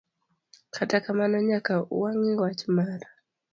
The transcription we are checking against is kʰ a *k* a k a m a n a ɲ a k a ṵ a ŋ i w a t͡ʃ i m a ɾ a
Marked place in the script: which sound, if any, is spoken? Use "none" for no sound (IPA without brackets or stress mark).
t